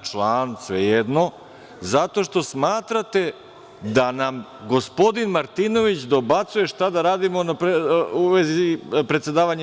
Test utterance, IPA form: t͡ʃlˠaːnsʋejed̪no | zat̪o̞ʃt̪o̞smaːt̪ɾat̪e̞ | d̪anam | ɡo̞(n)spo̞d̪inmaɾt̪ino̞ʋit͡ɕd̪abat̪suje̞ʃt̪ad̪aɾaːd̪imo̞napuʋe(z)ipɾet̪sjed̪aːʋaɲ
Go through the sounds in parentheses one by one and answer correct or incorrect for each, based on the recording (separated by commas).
incorrect, correct